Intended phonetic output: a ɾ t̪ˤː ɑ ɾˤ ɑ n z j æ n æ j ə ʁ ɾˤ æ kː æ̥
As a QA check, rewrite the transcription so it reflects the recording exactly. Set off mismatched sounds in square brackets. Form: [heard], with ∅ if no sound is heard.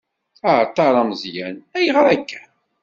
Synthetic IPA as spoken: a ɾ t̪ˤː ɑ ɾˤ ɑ [m] z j æ n æ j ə ʁ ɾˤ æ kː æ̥